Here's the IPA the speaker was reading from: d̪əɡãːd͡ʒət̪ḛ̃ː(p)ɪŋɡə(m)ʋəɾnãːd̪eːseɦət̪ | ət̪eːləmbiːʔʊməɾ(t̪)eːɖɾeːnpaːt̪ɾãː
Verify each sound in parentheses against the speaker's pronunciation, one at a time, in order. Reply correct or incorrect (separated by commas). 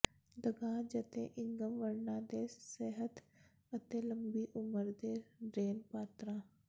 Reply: incorrect, correct, incorrect